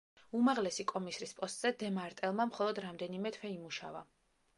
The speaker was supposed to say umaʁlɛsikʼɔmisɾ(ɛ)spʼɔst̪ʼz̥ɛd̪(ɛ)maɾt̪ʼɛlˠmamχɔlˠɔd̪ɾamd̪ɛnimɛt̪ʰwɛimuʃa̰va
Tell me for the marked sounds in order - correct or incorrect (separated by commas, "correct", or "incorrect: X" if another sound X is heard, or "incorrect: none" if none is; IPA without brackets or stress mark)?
incorrect: i, correct